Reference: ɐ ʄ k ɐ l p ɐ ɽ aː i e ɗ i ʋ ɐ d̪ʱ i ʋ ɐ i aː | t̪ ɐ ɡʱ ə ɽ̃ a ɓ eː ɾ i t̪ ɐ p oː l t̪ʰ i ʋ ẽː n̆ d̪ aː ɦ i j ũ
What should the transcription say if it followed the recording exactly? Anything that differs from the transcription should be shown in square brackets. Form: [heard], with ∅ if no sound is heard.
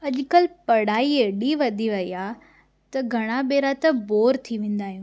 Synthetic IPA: ɐ ʄ k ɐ l p ɐ ɽ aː i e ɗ i ʋ ɐ d̪ʱ i ʋ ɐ i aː | t̪ ɐ ɡʱ [ɐ] ɽ̃ a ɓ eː ɾ [a] t̪ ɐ [b] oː [ɾ] t̪ʰ i ʋ ẽː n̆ d̪ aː ɦ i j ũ